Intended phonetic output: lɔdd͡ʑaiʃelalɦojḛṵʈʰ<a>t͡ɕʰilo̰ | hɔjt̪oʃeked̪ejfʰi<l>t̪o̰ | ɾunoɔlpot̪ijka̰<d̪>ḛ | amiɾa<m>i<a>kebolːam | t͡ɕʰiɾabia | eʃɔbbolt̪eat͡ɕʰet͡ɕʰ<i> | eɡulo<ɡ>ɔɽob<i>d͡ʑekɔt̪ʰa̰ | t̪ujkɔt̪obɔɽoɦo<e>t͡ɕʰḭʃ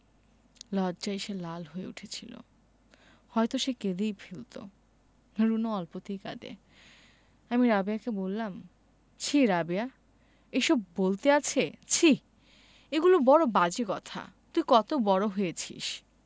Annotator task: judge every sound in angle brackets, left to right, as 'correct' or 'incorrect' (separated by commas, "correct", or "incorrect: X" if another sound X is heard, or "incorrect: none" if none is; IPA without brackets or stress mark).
incorrect: e, correct, correct, incorrect: b, correct, correct, incorrect: b, incorrect: a, correct